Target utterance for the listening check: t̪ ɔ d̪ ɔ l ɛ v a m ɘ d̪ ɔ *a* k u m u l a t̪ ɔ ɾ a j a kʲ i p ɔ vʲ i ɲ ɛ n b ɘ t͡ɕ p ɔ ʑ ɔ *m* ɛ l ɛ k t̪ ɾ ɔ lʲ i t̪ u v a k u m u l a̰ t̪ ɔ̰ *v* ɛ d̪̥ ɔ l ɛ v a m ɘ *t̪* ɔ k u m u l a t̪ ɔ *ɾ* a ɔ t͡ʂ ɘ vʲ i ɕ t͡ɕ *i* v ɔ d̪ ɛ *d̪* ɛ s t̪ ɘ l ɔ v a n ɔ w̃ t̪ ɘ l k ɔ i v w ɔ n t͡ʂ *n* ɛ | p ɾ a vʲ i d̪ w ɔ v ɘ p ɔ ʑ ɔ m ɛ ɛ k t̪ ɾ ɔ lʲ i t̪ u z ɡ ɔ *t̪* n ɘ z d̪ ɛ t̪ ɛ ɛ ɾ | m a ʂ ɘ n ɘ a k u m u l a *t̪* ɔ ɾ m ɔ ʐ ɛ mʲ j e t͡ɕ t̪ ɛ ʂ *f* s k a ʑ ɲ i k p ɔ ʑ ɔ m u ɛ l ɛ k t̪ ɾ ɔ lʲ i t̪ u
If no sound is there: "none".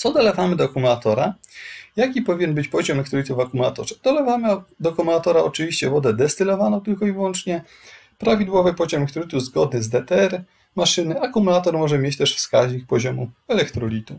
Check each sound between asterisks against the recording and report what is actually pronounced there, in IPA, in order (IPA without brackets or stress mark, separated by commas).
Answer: a, m, ʐ, d̪, ɾ, ɛ, d̪, ɲ, d̪, t̪, f